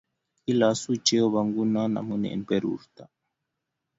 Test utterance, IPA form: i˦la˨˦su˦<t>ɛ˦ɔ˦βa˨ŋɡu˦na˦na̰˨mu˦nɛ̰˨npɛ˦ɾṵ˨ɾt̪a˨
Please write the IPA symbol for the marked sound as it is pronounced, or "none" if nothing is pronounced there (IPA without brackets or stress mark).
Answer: t͡ʃ